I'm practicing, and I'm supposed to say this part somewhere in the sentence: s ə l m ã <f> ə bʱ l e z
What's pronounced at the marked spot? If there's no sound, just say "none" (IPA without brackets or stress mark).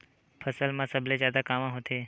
s